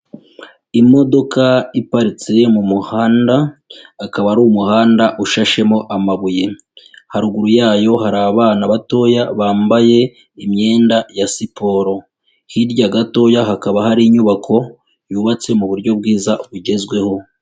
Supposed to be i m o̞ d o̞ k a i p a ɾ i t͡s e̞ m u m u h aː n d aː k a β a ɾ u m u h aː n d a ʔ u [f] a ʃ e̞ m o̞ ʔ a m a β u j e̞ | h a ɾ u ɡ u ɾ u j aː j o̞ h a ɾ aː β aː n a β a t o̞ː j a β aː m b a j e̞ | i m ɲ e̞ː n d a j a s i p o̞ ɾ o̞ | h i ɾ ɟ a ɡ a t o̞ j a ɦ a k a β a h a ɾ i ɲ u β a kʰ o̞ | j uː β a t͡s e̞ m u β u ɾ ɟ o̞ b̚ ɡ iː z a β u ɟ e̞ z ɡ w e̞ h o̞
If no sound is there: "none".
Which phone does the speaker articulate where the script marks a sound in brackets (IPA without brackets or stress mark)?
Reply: ʃ